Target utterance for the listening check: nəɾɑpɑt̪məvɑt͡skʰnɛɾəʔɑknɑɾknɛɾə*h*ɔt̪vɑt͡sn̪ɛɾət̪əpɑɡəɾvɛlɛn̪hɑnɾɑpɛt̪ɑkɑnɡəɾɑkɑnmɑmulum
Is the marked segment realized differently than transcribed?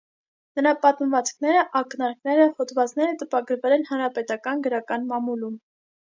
no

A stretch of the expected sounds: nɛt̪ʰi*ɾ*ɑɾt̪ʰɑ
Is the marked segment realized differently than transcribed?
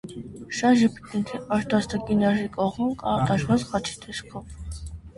yes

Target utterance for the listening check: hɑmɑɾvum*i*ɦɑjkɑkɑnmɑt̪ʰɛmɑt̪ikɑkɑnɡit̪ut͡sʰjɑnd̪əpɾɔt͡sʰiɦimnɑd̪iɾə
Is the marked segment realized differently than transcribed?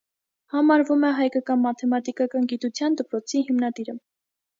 yes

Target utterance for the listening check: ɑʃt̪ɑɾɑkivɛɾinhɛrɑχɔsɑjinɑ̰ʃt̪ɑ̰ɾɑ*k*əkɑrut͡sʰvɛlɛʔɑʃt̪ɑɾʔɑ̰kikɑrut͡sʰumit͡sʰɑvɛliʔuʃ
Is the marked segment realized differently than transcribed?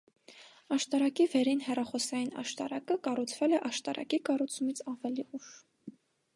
no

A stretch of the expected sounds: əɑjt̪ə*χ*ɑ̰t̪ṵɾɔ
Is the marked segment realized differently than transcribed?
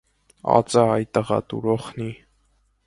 yes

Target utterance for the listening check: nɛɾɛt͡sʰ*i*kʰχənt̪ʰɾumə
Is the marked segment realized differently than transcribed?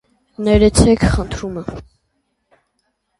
yes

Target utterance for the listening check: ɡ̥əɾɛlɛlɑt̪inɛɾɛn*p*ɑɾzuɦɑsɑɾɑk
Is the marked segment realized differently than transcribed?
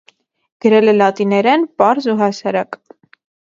no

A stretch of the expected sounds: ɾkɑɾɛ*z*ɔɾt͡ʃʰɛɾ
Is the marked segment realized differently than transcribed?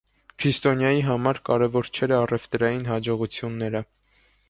yes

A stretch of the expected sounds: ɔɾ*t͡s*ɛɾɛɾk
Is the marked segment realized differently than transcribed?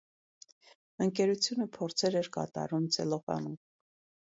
yes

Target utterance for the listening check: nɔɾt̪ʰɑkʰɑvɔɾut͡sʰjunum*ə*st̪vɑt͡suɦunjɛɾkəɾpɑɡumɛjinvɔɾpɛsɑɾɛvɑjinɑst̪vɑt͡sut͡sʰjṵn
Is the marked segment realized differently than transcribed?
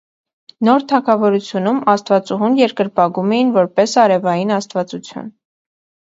yes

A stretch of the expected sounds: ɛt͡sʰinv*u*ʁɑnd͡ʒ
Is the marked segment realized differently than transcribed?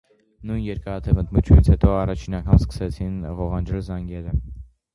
yes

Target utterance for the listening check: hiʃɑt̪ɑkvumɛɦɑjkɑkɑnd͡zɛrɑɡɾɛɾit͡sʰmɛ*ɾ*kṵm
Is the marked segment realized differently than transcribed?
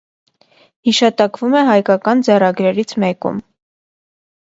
yes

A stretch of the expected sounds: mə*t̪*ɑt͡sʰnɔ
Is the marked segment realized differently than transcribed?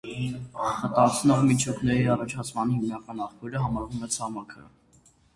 no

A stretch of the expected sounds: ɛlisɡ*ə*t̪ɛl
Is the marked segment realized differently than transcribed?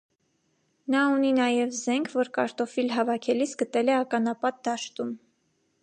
no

